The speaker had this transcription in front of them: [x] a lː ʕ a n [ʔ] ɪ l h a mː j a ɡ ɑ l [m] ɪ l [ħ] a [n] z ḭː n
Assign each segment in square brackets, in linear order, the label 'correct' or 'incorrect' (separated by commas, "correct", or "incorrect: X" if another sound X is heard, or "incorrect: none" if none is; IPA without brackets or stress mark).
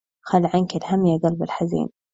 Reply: correct, incorrect: k, incorrect: b, correct, incorrect: none